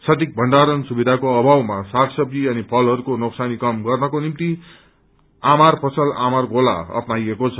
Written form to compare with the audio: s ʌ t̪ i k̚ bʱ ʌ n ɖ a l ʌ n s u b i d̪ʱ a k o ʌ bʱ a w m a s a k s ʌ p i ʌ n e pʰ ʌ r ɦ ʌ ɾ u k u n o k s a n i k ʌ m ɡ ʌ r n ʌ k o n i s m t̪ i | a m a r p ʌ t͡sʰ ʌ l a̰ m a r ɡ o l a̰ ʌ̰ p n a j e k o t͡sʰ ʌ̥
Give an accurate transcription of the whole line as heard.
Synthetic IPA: s ʌ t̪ i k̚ bʱ ʌ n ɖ a ɾ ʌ n s u b i d̪ʱ a k o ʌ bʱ a w m a s a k s ʌ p i ʌ n i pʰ ʌ l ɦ ʌ ɾ u k o n o k s a n i k ʌ m ɡ ʌ r n ʌ k o n i m t̪ i | a m a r p ʌ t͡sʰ ʌ l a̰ m a r ɡ o l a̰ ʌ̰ p n a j e k o t͡sʰ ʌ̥

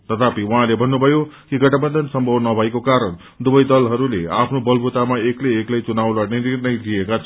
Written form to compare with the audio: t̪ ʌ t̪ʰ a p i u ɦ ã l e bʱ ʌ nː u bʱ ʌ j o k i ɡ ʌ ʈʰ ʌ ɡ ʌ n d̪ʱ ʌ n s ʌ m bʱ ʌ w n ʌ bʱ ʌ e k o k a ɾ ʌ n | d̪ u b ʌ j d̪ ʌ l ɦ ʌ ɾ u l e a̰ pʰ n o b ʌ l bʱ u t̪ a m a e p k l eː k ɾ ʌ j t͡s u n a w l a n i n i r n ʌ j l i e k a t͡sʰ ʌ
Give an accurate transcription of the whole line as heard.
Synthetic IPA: t̪ ʌ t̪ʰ a p i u ɦ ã l e bʱ ʌ nː u bʱ ʌ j o k i ɡ ʌ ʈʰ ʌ b ʌ n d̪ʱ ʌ n s ʌ m bʱ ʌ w n ʌ bʱ ʌ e k o k a ɾ ʌ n | d̪ u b ʌ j d̪ ʌ l ɦ ʌ ɾ u l e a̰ pʰ n o b ʌ l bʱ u t̪ a m a e k l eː k l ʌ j t͡s u n a w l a n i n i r n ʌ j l i e k a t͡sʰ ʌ

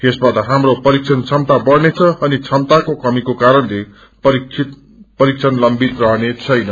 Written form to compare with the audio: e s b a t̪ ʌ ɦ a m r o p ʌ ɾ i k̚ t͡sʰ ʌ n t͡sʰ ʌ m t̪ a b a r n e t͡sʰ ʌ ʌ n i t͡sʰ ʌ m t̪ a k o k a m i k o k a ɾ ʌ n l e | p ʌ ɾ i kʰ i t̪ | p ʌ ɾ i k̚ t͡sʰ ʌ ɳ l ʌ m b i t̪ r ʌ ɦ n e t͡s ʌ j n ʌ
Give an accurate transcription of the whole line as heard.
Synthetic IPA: e s b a t̪ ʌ ɦ a m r o p ʌ ɾ i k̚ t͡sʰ ʌ n t͡sʰ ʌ m t̪ a b ʌ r n e t͡sʰ ʌ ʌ n i t͡sʰ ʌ m t̪ a k o k ʌ m i k o k a ɾ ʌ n l e | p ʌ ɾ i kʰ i t̪ | p ʌ ɾ i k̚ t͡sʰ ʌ n l ʌ m b i t̪ r ʌ ɦ n e t͡sʰ ʌ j n ʌ

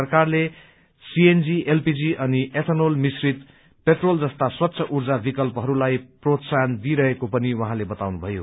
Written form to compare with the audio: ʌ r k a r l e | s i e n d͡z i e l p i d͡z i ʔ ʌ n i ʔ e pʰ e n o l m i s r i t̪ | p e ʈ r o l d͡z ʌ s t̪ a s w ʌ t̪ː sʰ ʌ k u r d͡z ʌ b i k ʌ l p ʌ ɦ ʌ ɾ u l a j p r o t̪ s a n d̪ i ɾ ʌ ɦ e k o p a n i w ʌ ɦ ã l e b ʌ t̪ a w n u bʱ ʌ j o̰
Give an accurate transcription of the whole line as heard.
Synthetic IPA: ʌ r k a r l e | s i e n d͡z i e l p i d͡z i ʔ ʌ n i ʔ e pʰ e n o l m i s r i t̪ | p e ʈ r o l d͡z ʌ s t̪ a s w ʌ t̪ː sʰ ʌ ʔ u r d͡z a b i k ʌ l p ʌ ɦ ʌ ɾ u l a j p r o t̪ s a n d̪ i ɾ ʌ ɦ e k o p ʌ n i w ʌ ɦ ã l e b ʌ t̪ a w n u bʱ ʌ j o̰

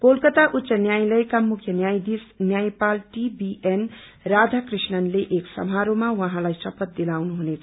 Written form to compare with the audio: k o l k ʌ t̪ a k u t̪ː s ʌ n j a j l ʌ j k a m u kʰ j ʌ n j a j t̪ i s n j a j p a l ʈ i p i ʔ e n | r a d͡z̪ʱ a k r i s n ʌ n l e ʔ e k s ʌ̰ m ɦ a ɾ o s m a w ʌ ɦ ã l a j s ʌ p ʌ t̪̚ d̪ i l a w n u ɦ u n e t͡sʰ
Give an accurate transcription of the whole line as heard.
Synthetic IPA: k o l k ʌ t̪ a ʔ u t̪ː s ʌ n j a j l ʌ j k a m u kʰ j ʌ n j a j d̪ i s n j a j p a l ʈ i b i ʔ e n | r a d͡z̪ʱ a k r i s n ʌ n l e ʔ e k s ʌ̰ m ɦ a ɾ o m a w ʌ ɦ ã l a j s ʌ p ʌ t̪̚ d̪ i l a w n u ɦ u n e t͡sʰ

